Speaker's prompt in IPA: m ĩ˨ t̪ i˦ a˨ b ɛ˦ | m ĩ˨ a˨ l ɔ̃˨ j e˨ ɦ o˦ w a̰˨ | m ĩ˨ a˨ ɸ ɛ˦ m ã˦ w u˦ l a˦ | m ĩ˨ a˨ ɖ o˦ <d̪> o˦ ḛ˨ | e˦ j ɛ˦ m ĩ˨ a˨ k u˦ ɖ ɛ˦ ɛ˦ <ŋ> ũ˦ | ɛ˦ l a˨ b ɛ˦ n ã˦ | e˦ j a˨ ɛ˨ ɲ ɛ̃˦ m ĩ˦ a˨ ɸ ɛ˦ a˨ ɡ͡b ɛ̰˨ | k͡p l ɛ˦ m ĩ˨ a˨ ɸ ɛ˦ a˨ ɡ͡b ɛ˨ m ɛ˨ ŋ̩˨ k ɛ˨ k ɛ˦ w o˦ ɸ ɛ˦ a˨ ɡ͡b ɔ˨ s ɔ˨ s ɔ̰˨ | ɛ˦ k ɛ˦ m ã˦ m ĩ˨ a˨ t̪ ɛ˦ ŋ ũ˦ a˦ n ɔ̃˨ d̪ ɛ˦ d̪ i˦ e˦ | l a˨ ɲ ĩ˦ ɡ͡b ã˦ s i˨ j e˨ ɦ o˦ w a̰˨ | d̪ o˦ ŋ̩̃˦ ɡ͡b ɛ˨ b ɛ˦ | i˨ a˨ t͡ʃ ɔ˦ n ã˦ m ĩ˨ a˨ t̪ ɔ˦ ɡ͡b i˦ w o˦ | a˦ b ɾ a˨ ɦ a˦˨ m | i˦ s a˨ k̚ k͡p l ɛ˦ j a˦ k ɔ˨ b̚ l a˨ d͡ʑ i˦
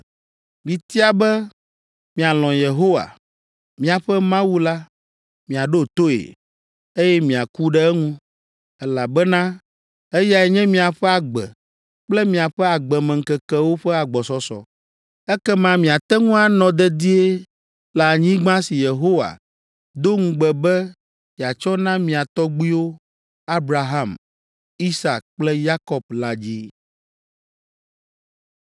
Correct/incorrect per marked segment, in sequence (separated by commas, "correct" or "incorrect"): incorrect, correct